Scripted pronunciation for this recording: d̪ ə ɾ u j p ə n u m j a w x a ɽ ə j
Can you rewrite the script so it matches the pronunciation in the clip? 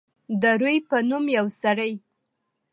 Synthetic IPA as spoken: d̪ ə ɾ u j p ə n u m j a w s a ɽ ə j